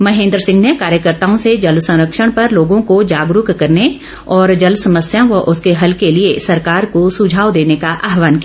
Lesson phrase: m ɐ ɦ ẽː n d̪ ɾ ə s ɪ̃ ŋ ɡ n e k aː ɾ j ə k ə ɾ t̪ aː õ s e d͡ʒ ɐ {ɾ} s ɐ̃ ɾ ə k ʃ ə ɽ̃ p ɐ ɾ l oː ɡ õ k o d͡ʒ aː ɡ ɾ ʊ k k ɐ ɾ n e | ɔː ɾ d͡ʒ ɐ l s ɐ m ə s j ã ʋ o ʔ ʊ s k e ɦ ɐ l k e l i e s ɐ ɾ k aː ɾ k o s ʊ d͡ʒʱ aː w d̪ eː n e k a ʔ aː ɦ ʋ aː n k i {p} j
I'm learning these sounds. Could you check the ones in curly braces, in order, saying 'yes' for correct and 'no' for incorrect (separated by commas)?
no, no